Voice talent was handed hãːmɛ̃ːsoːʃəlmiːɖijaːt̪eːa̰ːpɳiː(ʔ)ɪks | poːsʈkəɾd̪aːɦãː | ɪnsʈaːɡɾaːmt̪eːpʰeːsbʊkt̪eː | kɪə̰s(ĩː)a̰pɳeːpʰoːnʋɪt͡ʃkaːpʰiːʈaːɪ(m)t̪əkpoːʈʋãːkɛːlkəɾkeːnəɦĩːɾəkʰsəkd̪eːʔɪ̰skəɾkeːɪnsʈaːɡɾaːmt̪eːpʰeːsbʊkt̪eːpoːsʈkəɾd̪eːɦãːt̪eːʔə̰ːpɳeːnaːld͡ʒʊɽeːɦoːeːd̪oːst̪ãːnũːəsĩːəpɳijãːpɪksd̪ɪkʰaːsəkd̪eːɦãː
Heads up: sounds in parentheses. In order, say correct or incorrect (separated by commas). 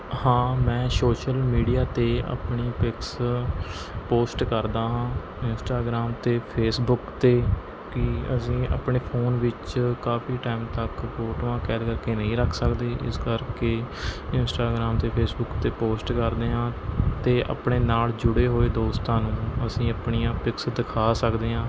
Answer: incorrect, correct, correct